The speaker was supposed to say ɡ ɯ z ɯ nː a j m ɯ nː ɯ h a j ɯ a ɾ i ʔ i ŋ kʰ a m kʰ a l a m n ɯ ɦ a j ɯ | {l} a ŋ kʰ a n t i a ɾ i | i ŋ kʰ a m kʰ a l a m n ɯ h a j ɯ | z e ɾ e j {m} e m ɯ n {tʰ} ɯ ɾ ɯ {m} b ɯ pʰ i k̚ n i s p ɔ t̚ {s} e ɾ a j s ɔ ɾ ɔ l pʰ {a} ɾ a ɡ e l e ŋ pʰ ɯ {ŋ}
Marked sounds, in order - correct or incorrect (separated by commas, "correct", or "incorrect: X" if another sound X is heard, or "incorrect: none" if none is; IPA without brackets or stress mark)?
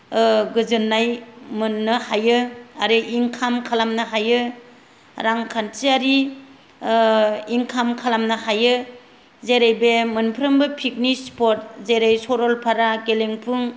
incorrect: ɾ, incorrect: b, incorrect: pʰ, correct, incorrect: z, correct, correct